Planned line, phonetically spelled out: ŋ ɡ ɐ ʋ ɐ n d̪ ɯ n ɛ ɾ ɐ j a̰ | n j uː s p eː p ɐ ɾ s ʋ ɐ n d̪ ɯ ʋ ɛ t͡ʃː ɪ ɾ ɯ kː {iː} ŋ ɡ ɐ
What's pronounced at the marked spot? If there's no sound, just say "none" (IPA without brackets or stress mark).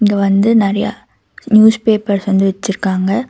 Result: aː